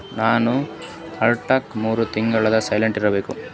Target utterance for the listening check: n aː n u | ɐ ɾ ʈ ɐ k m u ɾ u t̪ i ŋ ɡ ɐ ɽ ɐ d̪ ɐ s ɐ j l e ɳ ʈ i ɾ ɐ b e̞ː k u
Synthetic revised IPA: n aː n u | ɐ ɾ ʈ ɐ k m uː ɾ u t̪ i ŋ ɡ ɐ ɭ ɐ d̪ ɐ s ɐ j l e ɳ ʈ i ɾ ɐ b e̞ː k u